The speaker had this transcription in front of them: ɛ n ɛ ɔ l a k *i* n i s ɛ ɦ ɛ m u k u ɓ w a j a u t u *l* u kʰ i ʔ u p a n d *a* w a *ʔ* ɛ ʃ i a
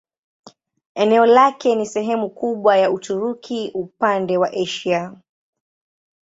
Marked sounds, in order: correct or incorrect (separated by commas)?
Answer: incorrect, incorrect, incorrect, correct